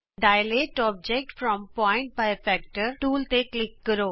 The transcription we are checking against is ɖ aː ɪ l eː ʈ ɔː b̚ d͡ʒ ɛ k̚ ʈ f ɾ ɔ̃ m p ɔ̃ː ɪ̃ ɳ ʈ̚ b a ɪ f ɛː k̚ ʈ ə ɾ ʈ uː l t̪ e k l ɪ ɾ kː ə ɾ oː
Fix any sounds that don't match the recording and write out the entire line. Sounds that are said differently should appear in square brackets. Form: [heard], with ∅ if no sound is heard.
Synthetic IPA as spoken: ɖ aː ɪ l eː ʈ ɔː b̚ d͡ʒ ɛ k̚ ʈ f ɾ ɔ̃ m p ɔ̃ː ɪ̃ ɳ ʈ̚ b a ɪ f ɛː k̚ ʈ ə ɾ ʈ uː l t̪ e k l ɪ [∅] kː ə ɾ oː

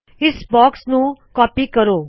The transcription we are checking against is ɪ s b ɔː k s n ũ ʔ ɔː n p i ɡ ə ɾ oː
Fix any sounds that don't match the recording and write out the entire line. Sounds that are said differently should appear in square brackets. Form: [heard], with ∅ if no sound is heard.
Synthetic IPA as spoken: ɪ s b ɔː k s n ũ [k] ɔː [∅] p i [k] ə ɾ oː

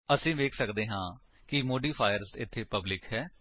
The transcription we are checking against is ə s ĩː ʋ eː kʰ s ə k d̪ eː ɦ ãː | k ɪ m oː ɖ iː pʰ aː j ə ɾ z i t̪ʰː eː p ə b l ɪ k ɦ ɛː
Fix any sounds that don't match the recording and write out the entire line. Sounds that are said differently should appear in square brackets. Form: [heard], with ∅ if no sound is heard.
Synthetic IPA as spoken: ə s ĩː ʋ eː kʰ s ə k d̪ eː ɦ ãː | k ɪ m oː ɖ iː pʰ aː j ə ɾ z [ɪ] t̪ʰː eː p ə b l ɪ k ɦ ɛː

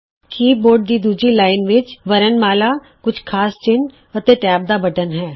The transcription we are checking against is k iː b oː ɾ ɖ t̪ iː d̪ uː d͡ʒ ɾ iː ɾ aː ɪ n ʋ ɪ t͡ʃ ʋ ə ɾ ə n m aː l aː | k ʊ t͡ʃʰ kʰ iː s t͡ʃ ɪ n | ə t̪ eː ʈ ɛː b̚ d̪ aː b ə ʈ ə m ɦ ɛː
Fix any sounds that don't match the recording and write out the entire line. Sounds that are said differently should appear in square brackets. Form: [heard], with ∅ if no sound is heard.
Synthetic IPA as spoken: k iː b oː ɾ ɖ [d̪] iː d̪ uː d͡ʒ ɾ iː [l] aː ɪ n ʋ ɪ t͡ʃ ʋ ə ɾ ə n m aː l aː | k ʊ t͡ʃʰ kʰ [aː] s t͡ʃ ɪ n | ə t̪ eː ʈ ɛː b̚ d̪ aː b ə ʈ ə [n] ɦ ɛː

